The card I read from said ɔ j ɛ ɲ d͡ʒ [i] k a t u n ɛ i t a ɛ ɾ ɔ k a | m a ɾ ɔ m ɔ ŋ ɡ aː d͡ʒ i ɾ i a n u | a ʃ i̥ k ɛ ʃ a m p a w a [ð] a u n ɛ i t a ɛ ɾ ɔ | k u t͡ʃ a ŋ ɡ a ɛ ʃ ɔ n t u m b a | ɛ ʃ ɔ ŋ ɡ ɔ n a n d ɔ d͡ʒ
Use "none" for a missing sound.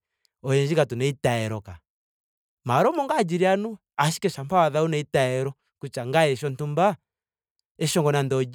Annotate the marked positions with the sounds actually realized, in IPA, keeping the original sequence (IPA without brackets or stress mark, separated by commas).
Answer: i, ð